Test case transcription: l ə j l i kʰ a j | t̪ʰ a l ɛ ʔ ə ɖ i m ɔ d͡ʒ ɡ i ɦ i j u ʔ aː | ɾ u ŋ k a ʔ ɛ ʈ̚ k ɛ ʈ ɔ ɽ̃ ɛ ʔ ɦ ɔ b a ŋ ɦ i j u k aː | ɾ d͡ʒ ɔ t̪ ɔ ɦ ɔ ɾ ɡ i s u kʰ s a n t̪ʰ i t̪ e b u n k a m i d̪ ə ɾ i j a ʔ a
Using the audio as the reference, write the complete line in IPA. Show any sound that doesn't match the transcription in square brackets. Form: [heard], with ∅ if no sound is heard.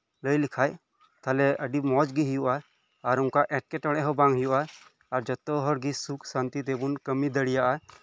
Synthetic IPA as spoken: l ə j l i kʰ a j | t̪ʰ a l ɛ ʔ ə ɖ i m ɔ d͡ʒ ɡ i ɦ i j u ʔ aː | ɾ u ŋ k a ʔ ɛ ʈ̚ k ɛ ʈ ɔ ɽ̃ ɛ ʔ ɦ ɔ b a ŋ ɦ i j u [ʔ] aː | ɾ d͡ʒ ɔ t̪ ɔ ɦ ɔ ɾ ɡ i s u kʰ s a n [t̪] i t̪ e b u n k [ə] m i d̪ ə [ɽ] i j a ʔ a